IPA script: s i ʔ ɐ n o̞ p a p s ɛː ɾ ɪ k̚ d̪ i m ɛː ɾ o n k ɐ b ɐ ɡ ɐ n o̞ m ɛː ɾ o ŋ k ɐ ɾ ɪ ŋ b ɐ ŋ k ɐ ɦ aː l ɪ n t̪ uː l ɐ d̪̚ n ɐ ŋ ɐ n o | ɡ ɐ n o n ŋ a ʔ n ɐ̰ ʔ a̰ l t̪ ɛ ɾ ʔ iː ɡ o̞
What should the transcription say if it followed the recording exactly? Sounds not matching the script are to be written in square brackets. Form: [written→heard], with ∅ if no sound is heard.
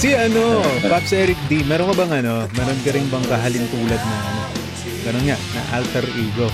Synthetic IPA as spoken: s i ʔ ɐ n o̞ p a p s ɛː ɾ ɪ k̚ d̪ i m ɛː ɾ o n k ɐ b ɐ [ɡ→ŋ] ɐ n o̞ m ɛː ɾ o [ŋ→n] k ɐ ɾ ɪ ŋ b ɐ ŋ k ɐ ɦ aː l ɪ n t̪ uː l ɐ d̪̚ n ɐ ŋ ɐ n o | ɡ ɐ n o n ŋ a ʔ n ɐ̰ ʔ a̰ l t̪ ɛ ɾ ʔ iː ɡ o̞